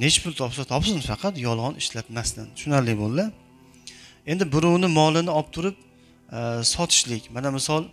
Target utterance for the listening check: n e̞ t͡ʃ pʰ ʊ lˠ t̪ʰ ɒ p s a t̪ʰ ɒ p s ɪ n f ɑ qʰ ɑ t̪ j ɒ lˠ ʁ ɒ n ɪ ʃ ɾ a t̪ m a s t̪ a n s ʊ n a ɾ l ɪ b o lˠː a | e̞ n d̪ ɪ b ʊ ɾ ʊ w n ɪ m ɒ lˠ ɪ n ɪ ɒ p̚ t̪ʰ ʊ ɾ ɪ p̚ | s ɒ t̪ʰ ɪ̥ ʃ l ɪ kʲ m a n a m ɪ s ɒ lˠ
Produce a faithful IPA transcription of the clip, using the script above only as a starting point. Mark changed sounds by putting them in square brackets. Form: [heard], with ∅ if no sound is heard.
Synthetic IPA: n e̞ t͡ʃ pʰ ʊ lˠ t̪ʰ ɒ p s a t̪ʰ ɒ p s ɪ n f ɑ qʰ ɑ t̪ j ɒ lˠ ʁ ɒ n ɪ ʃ [l] a t̪ m a s t̪ a n [ʃ] ʊ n a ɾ l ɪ b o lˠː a | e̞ n d̪ ɪ b ʊ ɾ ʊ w n ɪ m ɒ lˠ ɪ n ɪ ɒ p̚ t̪ʰ ʊ ɾ ɪ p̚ | s ɒ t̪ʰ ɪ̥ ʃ l ɪ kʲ m a n a m ɪ s ɒ lˠ